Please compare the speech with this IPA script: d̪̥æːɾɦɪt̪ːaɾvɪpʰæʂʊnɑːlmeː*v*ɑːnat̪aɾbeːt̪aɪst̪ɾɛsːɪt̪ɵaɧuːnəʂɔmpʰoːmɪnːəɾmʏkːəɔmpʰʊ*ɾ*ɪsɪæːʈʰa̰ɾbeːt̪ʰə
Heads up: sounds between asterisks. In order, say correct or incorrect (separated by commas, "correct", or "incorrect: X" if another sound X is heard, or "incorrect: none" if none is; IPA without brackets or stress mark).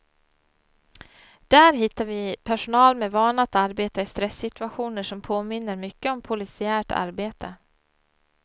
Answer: correct, incorrect: l